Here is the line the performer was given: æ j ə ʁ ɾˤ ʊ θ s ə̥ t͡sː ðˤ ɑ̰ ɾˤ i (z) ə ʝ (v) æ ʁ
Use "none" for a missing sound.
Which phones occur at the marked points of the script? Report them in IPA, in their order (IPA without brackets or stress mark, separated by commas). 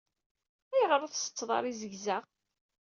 z, z